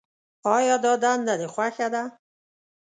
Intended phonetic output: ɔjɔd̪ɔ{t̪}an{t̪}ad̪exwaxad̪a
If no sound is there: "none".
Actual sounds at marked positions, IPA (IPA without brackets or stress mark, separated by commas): d̪, d̪